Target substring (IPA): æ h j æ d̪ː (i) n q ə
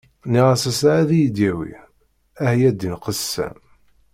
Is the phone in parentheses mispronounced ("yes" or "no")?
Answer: no